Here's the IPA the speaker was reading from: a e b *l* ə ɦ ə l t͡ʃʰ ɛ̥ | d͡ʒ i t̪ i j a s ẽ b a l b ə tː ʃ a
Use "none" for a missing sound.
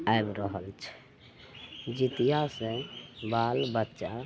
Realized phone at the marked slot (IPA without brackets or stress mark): ɾ